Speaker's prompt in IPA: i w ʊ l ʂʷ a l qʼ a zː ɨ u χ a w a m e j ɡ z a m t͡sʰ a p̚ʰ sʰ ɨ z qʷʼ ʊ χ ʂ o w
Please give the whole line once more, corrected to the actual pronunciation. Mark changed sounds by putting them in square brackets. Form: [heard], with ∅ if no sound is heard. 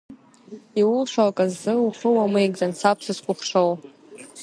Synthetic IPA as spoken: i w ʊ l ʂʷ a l [kʼ] a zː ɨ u χ [ə] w a m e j ɡ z a [n] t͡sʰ a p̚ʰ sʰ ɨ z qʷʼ ʊ χ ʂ o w